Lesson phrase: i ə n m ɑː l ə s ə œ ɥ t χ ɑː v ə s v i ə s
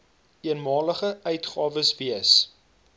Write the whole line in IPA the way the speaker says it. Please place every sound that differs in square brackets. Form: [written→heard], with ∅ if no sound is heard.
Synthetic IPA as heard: i ə n m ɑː l ə [s→χ] ə œ ɥ t χ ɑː v ə s v i ə s